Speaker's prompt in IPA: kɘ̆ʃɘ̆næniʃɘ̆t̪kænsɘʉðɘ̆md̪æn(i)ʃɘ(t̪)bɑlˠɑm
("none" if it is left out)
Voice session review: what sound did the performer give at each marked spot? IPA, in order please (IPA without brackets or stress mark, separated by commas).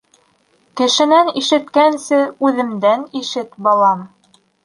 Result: i, t̪